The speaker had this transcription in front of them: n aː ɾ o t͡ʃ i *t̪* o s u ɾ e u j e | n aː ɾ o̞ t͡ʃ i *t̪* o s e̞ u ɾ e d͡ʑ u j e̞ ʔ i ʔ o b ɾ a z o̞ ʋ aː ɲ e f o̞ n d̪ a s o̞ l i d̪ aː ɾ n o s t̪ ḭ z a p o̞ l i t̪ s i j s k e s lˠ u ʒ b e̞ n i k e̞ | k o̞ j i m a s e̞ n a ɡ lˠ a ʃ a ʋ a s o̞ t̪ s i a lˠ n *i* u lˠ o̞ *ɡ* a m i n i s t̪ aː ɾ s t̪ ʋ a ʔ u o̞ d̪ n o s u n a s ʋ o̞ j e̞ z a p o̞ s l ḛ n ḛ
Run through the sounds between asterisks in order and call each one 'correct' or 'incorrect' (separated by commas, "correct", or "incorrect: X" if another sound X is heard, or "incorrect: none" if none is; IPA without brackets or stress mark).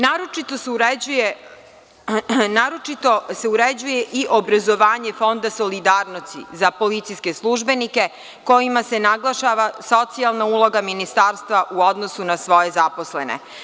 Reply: correct, correct, incorrect: a, correct